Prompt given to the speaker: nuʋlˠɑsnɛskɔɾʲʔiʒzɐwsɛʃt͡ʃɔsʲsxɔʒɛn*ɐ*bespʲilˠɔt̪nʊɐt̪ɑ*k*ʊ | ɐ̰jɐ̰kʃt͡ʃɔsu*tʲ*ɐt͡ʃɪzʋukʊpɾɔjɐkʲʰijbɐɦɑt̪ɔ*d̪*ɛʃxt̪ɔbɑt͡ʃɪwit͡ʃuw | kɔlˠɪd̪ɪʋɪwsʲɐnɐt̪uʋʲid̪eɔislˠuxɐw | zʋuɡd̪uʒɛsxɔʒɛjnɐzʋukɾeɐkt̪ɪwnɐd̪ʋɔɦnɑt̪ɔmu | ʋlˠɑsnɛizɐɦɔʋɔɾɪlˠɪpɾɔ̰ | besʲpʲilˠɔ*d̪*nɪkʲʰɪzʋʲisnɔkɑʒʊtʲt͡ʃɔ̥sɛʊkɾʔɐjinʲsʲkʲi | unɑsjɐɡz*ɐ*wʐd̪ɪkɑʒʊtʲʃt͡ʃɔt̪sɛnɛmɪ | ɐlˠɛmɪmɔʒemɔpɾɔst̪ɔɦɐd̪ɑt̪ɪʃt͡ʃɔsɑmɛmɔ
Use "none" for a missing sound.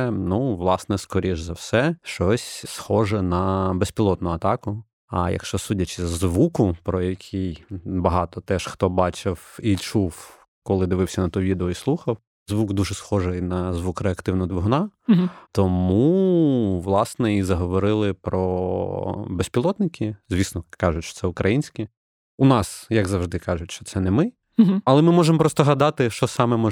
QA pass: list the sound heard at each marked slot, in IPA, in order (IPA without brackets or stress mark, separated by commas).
ɐ, k, dʲ, t̪, t̪, ɐ